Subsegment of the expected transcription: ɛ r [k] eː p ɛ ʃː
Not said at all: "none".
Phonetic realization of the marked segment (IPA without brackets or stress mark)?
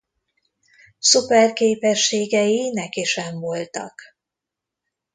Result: k